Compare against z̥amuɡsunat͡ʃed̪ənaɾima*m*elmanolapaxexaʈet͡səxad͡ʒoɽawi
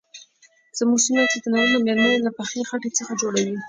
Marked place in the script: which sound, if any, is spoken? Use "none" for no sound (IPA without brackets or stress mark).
m